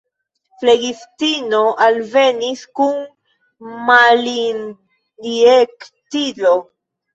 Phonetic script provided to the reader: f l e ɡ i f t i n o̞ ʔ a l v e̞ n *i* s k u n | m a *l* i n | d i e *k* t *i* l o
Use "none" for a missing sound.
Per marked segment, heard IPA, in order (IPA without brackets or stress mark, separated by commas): i, l, k, i